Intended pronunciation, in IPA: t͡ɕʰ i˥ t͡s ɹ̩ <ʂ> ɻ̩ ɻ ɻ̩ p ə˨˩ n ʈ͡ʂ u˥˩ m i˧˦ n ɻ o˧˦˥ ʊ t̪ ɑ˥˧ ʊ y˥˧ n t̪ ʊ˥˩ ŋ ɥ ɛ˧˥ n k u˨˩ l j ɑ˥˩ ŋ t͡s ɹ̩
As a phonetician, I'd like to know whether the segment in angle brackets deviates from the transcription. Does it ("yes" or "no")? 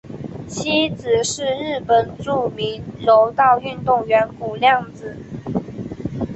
no